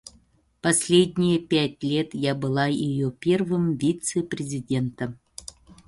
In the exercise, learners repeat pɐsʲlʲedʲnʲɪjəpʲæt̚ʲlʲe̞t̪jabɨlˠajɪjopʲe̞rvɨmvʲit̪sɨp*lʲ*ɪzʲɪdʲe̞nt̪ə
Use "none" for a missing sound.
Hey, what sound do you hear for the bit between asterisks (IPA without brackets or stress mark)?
ɾʲ